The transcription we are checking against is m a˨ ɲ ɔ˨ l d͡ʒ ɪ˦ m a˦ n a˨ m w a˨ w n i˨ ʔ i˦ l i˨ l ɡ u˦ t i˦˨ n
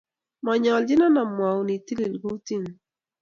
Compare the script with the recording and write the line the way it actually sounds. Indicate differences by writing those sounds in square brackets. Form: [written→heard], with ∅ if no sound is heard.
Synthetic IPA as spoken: m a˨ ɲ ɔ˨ l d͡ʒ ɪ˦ [m→n] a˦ n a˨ m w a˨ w n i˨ [ʔ→t] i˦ l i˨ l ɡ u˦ t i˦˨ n